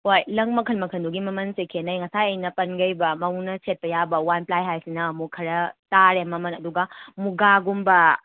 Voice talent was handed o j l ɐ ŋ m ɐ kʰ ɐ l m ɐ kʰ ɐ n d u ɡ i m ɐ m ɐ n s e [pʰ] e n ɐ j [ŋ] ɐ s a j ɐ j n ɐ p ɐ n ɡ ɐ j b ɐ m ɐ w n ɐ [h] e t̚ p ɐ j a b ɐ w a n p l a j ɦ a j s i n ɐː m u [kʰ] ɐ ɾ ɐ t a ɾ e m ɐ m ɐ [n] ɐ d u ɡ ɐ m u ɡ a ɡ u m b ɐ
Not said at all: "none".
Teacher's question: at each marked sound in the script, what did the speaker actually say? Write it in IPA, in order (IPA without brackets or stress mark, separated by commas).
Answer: kʰ, ŋ, s, kʰ, n